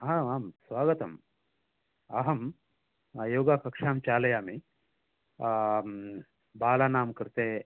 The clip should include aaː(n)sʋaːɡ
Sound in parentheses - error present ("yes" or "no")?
yes